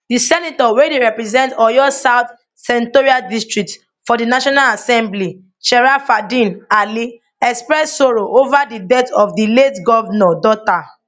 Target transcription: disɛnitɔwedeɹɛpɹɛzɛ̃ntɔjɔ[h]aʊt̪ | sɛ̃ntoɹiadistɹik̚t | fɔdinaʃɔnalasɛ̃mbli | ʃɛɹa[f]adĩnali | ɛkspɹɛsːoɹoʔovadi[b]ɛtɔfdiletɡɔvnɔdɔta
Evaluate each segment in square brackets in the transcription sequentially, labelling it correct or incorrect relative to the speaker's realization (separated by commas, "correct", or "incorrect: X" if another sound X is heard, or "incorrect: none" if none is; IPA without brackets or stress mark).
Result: incorrect: s, correct, incorrect: d